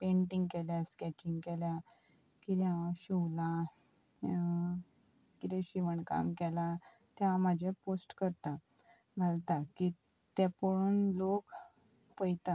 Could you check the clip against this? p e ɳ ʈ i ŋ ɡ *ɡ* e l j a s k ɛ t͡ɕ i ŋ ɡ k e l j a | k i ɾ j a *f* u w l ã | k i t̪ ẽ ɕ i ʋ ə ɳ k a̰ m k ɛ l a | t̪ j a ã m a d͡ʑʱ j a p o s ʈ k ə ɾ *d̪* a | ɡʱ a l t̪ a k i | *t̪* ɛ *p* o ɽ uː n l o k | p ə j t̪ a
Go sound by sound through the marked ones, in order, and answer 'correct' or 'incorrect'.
incorrect: k, incorrect: ɕ, incorrect: t̪, correct, correct

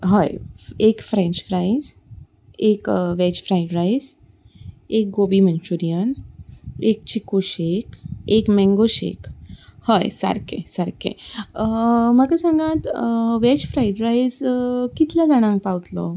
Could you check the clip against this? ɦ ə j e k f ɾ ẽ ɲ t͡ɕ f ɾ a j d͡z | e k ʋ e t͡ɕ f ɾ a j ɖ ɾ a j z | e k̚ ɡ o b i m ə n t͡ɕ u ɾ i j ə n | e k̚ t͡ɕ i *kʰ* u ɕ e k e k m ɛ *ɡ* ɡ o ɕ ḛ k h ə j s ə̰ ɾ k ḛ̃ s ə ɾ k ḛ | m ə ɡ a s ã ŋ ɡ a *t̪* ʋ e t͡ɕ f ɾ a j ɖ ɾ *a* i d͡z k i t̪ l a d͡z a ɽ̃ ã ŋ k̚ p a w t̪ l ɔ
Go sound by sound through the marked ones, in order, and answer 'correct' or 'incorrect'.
incorrect: k, incorrect: ŋ, correct, correct

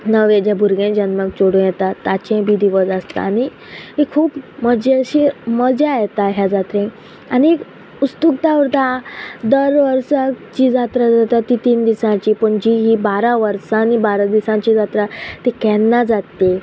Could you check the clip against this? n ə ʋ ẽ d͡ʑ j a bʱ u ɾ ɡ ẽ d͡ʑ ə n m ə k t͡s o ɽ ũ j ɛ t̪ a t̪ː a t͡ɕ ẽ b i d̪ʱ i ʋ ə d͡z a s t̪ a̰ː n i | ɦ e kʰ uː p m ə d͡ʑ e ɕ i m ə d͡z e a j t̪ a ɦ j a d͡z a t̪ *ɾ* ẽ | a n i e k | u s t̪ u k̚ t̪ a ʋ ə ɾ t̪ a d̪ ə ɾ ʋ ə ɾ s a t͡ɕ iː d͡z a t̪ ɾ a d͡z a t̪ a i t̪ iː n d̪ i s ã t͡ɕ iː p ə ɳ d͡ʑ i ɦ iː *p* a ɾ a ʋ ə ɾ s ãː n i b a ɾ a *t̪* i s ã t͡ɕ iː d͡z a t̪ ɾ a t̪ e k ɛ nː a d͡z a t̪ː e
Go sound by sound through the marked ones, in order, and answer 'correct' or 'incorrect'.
correct, incorrect: b, incorrect: d̪

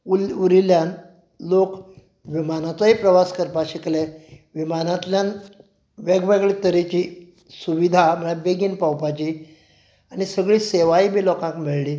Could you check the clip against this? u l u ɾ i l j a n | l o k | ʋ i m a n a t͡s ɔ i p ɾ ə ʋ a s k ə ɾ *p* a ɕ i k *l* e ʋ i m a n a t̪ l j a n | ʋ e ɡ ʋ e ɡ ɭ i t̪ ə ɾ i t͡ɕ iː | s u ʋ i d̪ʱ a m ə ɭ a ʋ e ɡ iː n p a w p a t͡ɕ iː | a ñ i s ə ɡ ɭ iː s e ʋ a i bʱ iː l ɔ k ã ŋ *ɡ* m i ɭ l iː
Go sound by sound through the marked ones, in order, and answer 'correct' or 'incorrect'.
correct, correct, incorrect: k

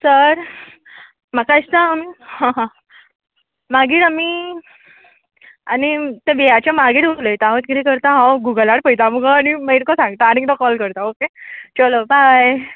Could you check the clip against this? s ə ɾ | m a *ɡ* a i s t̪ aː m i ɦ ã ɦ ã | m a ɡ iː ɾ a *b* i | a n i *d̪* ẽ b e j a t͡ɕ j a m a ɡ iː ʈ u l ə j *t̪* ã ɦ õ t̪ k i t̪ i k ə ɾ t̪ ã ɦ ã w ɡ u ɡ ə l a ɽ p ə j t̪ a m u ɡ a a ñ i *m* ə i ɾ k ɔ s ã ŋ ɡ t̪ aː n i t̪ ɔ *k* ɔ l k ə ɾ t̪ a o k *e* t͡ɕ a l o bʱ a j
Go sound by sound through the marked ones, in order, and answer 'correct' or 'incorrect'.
incorrect: k, incorrect: m, incorrect: t̪, correct, correct, correct, correct

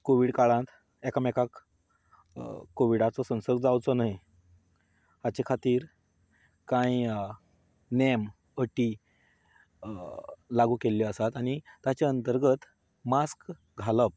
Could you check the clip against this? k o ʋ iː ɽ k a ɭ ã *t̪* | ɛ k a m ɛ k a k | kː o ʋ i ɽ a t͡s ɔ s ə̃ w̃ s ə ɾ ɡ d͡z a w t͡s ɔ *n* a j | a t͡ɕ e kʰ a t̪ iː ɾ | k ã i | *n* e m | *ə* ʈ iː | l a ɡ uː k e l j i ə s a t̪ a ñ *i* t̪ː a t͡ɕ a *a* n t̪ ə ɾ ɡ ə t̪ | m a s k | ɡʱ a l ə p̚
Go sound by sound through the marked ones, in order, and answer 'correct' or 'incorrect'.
correct, correct, correct, correct, correct, incorrect: ə

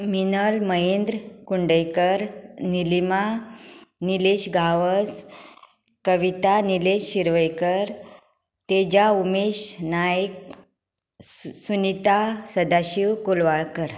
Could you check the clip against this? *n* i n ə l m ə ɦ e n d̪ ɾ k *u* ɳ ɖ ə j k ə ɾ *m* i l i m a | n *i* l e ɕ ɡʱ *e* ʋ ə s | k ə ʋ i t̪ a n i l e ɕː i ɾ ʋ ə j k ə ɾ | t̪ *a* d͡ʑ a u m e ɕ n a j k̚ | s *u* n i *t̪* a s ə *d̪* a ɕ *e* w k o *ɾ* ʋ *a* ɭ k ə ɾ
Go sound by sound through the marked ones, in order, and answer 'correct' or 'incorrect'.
incorrect: m, correct, incorrect: n, correct, incorrect: a, incorrect: e, correct, correct, correct, incorrect: i, incorrect: l, correct

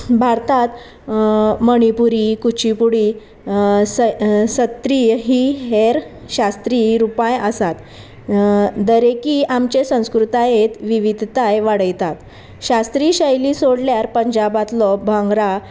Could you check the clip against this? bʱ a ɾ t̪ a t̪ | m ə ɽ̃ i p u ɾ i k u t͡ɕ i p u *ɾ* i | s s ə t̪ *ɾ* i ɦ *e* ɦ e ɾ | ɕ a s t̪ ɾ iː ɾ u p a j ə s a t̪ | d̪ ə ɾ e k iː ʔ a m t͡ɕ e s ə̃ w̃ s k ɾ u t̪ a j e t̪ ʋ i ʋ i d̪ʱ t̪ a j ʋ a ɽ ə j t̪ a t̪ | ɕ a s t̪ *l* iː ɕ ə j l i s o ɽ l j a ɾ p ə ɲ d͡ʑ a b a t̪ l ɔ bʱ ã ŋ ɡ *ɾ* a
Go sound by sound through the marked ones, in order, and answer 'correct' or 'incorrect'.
incorrect: ɽ, correct, incorrect: i, incorrect: ɾ, correct

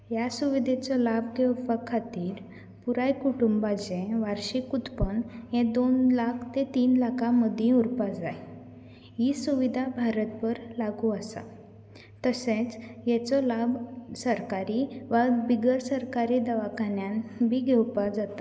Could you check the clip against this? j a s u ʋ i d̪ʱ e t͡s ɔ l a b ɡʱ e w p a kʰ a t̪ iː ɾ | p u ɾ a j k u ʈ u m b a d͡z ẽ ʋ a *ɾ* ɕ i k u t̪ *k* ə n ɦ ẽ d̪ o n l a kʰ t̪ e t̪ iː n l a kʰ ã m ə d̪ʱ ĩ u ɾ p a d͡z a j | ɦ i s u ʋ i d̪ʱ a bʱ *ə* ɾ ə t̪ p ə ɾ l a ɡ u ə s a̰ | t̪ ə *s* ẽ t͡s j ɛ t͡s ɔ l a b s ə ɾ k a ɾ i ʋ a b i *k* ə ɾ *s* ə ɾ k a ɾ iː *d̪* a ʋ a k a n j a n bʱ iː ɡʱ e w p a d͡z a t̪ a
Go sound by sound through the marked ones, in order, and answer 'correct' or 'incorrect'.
correct, incorrect: p, incorrect: a, correct, incorrect: ɡ, correct, correct

